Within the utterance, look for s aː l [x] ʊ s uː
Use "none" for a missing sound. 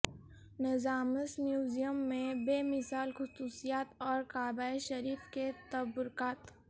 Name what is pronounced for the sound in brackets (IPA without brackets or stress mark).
x